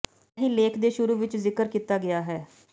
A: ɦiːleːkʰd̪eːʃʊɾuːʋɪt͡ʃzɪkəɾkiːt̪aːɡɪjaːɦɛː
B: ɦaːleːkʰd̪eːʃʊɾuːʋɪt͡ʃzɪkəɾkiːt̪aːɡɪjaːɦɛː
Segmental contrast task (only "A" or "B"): A